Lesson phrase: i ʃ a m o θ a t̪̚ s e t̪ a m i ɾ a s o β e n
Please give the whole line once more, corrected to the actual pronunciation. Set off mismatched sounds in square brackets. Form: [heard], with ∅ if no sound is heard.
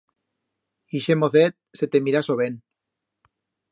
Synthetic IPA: i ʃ [e] m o θ [e] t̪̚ s e t̪ [e] m i ɾ a s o β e n